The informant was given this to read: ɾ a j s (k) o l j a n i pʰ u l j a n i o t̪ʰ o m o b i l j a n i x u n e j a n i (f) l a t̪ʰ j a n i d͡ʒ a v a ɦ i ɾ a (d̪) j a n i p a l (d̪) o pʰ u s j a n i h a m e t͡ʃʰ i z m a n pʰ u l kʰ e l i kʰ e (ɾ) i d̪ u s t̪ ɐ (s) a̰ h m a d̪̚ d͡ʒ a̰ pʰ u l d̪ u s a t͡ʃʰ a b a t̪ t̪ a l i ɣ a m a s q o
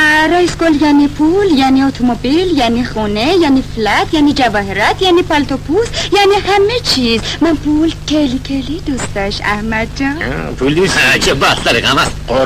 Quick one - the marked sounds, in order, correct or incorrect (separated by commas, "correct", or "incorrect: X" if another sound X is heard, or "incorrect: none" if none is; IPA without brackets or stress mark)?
correct, correct, incorrect: t̪, incorrect: t̪, incorrect: l, incorrect: ʃ